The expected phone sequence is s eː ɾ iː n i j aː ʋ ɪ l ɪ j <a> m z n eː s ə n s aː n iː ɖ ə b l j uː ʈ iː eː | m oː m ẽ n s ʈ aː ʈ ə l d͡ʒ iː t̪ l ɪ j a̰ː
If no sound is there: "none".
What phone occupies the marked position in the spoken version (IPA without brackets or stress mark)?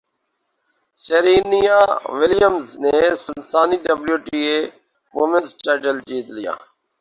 ə